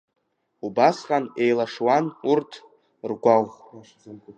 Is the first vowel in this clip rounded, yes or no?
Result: yes